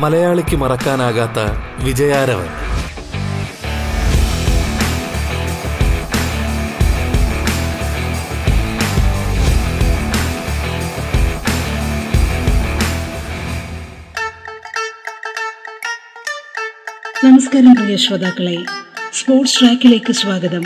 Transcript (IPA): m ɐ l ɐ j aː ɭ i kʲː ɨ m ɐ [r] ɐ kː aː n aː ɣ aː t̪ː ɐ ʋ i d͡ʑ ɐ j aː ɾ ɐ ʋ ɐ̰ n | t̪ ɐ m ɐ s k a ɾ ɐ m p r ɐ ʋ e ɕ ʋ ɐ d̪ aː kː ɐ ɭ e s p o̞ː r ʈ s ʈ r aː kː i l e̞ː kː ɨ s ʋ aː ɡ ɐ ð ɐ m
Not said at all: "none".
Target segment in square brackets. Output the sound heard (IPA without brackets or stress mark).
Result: r